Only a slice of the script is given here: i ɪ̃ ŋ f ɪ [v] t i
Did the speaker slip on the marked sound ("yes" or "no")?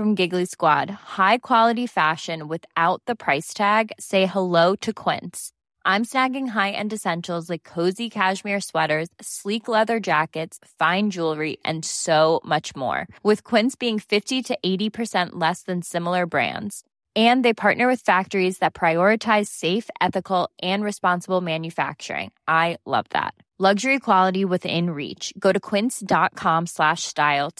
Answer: yes